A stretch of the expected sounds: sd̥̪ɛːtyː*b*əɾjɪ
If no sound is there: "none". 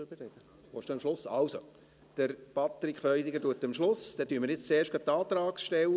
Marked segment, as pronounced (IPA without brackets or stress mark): m